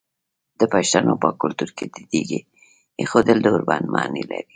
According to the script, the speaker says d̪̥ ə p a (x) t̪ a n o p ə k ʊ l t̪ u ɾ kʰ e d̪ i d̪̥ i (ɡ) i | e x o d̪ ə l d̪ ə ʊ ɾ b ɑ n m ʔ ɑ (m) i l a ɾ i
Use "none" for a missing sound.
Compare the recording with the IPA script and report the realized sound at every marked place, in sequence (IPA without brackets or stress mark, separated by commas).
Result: ʃ, ɡ, n